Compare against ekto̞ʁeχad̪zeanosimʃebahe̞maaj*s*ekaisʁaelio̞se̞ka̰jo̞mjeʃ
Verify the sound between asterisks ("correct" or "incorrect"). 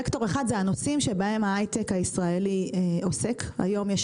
incorrect